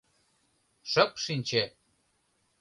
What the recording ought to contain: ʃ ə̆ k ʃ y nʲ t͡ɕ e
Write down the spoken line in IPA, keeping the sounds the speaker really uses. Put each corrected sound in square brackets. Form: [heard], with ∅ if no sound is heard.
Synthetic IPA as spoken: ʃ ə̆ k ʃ [i] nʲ t͡ɕ e